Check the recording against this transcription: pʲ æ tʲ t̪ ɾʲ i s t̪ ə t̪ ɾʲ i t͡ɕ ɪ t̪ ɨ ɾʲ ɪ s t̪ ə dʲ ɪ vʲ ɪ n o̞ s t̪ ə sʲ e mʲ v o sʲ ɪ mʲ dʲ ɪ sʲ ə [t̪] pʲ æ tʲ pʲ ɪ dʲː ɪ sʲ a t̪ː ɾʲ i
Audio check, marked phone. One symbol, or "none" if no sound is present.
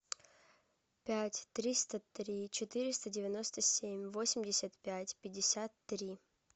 t̪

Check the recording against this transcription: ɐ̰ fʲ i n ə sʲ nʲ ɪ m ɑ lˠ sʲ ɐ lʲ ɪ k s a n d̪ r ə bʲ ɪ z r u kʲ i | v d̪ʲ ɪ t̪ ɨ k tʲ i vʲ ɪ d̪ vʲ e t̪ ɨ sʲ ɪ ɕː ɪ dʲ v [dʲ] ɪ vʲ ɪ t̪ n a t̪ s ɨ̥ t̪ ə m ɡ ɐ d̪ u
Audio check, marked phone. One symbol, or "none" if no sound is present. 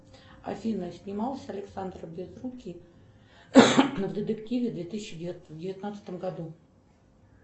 dʲ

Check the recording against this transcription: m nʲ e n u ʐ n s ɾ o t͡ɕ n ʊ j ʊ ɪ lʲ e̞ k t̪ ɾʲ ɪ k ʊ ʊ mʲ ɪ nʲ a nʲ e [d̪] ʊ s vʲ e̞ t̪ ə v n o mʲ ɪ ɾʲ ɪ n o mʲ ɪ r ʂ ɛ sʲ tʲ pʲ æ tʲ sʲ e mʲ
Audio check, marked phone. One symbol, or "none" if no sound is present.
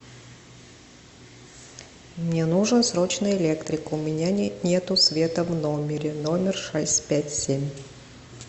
t̪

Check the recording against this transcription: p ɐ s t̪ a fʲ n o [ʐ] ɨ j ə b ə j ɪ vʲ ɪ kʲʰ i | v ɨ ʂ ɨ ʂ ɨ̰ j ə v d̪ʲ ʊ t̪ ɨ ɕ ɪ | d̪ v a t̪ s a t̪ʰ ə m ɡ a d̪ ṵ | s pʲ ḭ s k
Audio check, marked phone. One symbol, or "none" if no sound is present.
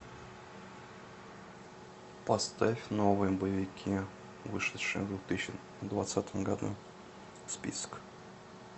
v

